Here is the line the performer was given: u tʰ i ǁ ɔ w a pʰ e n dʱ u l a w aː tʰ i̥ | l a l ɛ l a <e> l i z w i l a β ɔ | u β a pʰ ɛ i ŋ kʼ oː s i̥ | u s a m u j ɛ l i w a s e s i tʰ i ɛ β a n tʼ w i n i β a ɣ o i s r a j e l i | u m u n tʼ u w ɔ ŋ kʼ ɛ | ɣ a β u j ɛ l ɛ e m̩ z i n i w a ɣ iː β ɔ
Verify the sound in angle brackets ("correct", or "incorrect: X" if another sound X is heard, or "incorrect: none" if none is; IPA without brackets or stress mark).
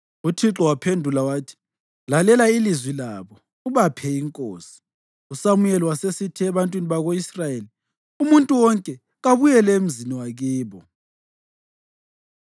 incorrect: i